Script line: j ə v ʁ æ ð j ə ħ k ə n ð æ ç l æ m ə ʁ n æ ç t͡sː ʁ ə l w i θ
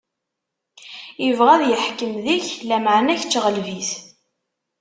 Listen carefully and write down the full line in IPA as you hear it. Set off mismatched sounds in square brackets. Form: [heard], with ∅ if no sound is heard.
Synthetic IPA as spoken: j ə v ʁ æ ð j ə ħ k ə [m] ð [i] ç l æ m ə [ʕ] n æ ç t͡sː ʁ ə l [v] i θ